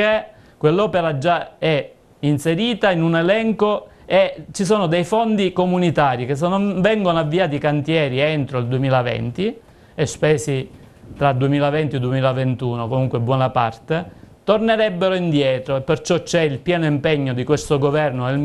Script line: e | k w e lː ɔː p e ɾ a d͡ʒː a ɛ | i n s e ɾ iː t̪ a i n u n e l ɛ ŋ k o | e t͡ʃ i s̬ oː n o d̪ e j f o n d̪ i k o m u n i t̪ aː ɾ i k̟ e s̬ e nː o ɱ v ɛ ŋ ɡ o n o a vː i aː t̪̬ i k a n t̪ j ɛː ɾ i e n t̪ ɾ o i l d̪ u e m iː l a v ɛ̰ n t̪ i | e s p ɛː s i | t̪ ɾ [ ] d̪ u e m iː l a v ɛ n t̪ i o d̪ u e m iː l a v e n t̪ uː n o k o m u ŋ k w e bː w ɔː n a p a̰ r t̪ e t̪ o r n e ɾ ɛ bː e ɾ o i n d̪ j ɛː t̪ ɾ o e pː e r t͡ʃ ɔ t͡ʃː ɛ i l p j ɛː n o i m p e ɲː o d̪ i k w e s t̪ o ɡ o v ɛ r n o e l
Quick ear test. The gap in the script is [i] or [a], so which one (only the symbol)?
a